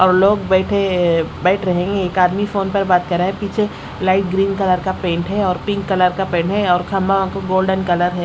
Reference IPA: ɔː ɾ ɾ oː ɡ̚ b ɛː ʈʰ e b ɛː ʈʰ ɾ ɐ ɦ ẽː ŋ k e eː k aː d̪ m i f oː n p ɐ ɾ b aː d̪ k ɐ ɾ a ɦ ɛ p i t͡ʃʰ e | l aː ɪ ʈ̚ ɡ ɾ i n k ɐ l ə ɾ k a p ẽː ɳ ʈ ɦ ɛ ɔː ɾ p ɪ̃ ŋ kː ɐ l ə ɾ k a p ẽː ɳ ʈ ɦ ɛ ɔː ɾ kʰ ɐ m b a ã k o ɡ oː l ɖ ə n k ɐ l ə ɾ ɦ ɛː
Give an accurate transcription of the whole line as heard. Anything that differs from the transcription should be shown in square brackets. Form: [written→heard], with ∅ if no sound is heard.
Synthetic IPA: ɔː ɾ [ɾ→l] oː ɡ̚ b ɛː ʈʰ e b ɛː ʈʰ ɾ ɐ ɦ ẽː ŋ [k→ɡ] e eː k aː d̪ m i f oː n p ɐ ɾ b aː [d̪→t̪] k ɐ ɾ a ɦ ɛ p [i→iː] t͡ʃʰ e | l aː ɪ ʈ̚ ɡ ɾ [i→iː] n k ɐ l ə ɾ k a p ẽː ɳ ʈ ɦ ɛ ɔː ɾ p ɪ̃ ŋ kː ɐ l ə ɾ k a p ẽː ɳ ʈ ɦ ɛ ɔː ɾ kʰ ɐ m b a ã k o ɡ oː l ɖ ə n k ɐ l ə ɾ ɦ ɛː